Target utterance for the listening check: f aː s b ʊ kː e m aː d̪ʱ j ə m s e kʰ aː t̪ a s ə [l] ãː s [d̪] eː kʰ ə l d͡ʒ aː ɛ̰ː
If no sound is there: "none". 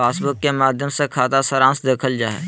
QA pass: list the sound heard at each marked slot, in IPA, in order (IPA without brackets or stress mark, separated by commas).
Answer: ɾ, d̪